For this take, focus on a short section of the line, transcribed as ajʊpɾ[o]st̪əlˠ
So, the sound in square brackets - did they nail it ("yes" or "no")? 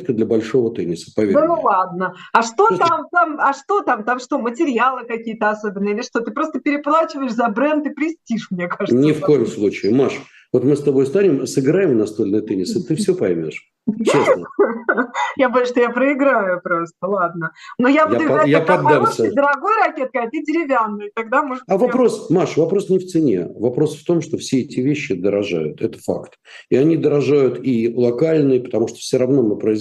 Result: yes